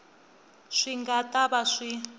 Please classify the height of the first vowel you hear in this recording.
high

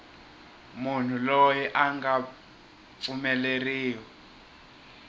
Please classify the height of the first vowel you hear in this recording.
high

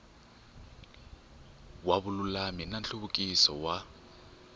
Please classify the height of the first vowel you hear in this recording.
low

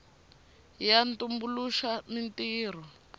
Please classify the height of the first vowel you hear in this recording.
low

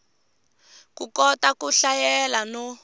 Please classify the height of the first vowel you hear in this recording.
high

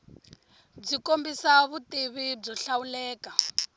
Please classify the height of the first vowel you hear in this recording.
high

